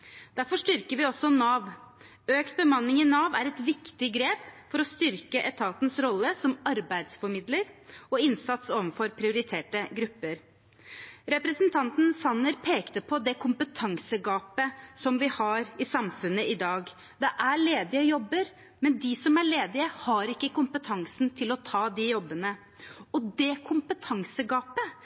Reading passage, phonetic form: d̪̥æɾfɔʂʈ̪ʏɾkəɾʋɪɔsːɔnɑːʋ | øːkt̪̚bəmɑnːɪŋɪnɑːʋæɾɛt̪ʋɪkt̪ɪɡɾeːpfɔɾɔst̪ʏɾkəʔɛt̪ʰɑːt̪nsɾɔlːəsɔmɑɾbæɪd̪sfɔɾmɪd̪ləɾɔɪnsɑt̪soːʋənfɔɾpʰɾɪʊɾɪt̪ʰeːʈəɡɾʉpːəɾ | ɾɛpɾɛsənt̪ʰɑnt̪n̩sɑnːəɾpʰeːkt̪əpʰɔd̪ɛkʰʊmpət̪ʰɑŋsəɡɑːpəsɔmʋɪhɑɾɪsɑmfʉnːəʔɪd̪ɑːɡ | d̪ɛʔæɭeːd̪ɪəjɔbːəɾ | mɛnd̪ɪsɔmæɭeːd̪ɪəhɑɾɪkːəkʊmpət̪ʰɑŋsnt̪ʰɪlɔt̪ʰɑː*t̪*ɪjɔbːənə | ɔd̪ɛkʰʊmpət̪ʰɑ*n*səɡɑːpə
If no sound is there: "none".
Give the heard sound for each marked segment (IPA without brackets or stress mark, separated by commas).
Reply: d̪, ŋ